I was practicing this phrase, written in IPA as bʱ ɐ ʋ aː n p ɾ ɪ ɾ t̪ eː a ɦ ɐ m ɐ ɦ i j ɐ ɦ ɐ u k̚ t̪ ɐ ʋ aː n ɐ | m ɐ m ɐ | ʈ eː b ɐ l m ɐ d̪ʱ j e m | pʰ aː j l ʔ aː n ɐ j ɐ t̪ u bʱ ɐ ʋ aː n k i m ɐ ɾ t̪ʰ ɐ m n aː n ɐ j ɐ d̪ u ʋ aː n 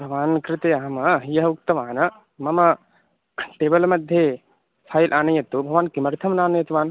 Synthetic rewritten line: bʱ ɐ ʋ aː n k ɾ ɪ t̪ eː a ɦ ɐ m ɐ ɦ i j ɐ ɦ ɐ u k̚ t̪ ɐ ʋ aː n ɐ | m ɐ m ɐ | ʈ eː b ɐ l m ɐ d̪ʱ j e | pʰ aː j l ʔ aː n ɐ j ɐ t̪ u bʱ ɐ ʋ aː n k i m ɐ ɾ t̪ʰ ɐ m n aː n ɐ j ɐ t̪ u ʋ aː n